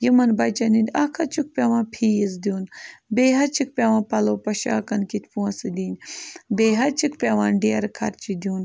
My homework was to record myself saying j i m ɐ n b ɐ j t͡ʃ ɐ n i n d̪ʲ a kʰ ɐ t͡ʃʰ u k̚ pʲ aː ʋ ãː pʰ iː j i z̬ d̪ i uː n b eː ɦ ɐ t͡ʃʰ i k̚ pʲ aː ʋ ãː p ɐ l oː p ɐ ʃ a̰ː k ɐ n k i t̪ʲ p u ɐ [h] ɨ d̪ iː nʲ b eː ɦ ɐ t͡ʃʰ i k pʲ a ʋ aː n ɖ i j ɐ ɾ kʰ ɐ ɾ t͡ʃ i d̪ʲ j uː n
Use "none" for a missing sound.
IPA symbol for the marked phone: s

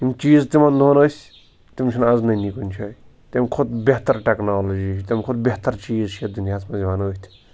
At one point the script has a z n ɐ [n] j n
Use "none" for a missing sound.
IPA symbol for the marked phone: none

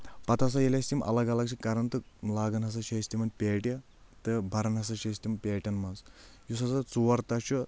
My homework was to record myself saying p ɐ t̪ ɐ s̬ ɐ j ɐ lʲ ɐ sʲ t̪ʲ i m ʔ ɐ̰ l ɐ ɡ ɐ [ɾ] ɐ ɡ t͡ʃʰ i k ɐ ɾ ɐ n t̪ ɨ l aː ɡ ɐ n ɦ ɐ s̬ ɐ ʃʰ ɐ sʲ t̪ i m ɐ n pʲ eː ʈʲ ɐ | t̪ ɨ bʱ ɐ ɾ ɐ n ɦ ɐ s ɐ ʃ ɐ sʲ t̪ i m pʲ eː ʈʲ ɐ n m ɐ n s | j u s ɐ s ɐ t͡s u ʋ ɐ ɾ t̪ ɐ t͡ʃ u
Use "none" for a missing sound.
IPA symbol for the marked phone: l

